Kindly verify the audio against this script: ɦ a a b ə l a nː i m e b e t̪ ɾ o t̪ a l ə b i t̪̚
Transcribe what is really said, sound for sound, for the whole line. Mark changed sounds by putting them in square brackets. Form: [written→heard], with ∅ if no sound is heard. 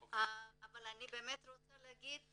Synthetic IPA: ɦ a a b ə l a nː i [m→b] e [b→m] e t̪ ɾ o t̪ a l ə [b→ɡ] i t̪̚